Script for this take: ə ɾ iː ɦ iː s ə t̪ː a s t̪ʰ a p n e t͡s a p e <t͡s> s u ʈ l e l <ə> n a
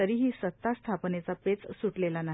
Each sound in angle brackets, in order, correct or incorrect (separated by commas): correct, incorrect